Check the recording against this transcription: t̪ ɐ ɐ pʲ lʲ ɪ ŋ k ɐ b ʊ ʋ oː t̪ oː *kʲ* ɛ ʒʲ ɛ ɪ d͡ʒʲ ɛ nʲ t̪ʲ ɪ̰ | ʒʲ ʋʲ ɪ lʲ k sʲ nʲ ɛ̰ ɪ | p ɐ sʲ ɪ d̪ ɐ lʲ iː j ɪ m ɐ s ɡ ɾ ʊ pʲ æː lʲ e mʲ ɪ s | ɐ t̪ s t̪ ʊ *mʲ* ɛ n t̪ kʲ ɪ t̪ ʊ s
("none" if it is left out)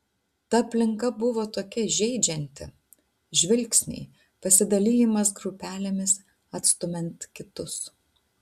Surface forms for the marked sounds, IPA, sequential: kʲ, mʲ

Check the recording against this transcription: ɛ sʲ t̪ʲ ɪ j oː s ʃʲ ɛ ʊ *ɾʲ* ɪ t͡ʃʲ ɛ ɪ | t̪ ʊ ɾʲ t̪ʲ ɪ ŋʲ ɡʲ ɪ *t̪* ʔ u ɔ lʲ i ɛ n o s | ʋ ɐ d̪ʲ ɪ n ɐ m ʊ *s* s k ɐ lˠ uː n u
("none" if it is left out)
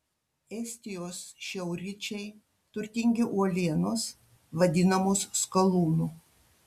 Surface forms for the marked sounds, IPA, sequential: ɾʲ, none, s

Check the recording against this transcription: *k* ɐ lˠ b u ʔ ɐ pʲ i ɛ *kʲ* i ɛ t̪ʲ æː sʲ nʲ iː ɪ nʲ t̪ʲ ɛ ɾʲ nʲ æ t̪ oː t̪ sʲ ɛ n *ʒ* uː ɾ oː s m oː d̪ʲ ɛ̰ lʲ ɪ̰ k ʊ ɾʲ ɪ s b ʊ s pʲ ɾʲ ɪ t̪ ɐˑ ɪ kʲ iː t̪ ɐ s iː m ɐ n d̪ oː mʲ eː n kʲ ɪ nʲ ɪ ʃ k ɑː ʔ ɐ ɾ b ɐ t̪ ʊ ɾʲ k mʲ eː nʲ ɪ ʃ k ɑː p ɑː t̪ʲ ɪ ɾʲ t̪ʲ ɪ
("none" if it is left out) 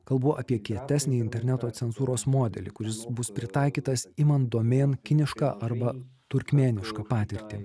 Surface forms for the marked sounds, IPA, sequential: k, kʲ, z

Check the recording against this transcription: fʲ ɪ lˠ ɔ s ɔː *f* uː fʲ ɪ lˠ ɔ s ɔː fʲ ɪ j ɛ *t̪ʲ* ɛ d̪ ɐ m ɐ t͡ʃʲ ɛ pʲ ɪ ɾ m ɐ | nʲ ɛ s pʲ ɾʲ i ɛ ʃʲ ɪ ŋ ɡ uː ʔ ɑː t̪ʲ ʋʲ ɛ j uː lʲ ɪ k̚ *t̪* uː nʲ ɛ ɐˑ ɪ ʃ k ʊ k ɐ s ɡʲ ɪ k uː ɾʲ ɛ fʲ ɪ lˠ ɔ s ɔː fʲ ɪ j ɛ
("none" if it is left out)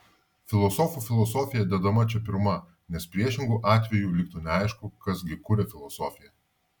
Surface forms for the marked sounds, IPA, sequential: f, d̪ʲ, t̪

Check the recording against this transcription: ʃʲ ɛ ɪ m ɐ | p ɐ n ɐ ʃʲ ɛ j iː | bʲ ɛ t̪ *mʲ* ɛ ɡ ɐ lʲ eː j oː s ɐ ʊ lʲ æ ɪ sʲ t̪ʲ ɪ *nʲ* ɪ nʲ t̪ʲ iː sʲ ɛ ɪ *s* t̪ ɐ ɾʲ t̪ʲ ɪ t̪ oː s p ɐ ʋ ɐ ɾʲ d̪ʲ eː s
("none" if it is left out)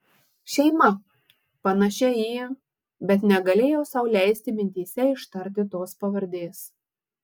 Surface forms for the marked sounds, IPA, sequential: nʲ, mʲ, ʃ

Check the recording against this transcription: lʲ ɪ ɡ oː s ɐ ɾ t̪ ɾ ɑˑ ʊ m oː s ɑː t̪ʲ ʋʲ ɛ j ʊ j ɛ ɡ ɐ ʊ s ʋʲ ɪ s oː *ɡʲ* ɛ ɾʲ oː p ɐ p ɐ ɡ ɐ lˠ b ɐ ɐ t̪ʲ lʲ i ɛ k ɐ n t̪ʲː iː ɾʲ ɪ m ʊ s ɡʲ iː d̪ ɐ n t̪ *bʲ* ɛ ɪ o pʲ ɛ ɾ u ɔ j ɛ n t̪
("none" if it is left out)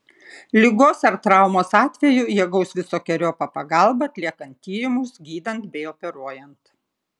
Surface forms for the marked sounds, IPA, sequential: kʲ, bʲ

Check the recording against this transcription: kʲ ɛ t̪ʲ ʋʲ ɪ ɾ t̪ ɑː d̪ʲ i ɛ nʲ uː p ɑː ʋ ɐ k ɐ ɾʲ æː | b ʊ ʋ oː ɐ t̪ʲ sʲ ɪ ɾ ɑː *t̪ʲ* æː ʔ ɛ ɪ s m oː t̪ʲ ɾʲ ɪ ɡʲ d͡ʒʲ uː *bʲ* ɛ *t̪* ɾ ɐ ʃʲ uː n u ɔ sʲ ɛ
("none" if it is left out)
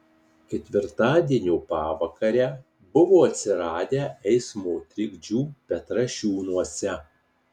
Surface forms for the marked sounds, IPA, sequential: d̪ʲ, pʲ, t̪

